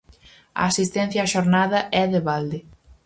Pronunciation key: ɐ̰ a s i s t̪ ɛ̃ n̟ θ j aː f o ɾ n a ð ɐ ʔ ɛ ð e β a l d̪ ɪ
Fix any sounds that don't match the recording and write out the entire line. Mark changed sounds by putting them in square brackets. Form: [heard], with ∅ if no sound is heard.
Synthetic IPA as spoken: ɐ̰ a s i s t̪ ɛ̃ n̟ θ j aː [ʃ] o ɾ n a ð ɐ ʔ ɛ ð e β a l d̪ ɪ